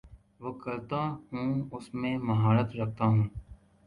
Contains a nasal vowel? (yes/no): yes